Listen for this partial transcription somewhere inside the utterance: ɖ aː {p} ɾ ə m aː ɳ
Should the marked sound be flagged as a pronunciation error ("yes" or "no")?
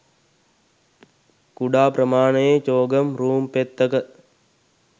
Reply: no